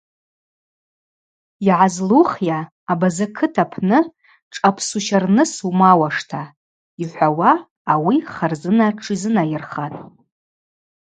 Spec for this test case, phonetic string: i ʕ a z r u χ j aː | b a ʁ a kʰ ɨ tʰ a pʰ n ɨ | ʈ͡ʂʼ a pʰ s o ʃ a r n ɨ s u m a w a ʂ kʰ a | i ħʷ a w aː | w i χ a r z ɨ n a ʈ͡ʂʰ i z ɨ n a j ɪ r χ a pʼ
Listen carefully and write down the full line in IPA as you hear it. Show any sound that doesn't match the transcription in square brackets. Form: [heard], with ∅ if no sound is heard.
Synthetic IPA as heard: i ʕ a z [l] u χ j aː | b a [z] a kʰ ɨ tʰ a pʰ n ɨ | ʈ͡ʂʼ a pʰ s [u] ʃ a r n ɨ s u m a w a ʂ [tʰ] a | i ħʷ a w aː | w i χ a r z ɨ n a ʈ͡ʂʰ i z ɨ n a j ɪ r χ a [tʼ]